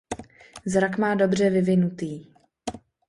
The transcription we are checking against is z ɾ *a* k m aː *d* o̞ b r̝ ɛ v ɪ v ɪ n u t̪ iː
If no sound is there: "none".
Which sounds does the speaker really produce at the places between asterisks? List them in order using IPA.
a, d

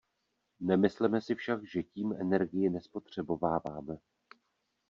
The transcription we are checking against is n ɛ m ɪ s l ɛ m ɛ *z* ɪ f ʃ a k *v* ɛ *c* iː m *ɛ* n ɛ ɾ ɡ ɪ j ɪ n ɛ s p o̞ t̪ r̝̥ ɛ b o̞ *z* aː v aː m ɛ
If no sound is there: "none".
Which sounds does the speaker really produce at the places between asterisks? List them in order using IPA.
s, ʒ, c, ɛ, v

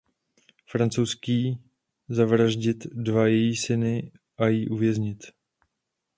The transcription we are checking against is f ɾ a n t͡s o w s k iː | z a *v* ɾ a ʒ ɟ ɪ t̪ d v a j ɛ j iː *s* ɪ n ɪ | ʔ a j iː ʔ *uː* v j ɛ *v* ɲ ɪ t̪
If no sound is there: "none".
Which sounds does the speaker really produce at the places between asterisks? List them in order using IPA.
v, s, u, z

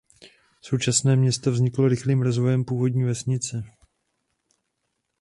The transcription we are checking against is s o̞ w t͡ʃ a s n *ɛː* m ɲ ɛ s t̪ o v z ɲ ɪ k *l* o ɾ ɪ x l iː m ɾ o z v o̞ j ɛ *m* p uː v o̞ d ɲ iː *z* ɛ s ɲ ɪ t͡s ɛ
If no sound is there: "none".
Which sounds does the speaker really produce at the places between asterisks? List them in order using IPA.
ɛː, l, m, v

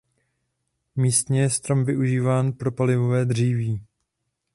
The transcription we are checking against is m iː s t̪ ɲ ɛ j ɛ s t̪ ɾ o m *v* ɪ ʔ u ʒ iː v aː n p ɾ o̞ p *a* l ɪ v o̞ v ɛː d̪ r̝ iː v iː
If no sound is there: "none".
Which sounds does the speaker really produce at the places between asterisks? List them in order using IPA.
v, a

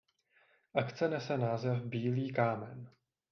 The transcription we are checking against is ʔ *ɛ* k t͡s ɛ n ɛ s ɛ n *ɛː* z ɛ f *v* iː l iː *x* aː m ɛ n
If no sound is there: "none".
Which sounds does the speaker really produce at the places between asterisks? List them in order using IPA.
a, aː, b, k

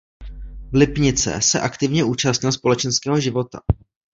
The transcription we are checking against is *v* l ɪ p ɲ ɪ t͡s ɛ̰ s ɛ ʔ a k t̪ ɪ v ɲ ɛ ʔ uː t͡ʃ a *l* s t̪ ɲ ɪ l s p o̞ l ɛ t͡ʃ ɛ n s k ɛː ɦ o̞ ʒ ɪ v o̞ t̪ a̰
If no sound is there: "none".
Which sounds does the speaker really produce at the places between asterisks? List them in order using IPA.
v, none

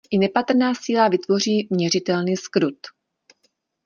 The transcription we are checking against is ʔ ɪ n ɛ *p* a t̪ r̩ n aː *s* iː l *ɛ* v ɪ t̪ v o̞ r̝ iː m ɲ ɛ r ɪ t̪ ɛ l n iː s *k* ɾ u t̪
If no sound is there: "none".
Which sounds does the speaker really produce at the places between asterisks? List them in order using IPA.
p, s, a, k

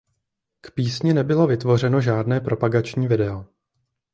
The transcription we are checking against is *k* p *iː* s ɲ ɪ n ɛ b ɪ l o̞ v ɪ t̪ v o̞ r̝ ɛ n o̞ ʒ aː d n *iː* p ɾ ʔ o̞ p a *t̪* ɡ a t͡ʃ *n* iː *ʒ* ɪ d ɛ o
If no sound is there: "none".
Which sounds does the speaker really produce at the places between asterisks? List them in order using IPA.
k, iː, ɛː, none, ɲ, v

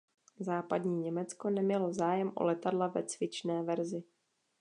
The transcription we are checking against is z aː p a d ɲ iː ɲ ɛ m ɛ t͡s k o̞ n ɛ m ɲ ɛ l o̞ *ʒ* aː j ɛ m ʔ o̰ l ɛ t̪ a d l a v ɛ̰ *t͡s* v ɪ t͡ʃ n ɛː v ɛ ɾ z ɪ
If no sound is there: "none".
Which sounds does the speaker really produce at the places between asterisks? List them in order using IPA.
z, t͡s

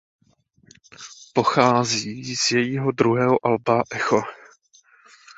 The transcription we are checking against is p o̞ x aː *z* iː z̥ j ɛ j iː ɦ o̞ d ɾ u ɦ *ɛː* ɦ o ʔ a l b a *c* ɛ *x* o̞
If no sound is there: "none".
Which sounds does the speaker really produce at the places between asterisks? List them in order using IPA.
z, ɛː, ʔ, x

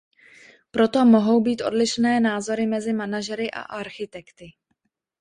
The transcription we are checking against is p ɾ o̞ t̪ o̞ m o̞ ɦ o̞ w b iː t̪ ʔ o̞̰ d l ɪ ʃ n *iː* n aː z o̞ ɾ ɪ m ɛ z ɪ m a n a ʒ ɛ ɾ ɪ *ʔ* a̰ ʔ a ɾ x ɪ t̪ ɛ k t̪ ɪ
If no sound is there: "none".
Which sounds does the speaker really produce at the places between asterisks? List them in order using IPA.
ɛː, ʔ

